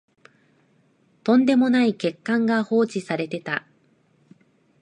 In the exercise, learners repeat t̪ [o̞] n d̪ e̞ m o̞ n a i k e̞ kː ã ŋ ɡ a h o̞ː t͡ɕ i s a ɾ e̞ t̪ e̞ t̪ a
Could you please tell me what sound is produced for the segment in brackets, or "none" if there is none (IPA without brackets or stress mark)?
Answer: õ̞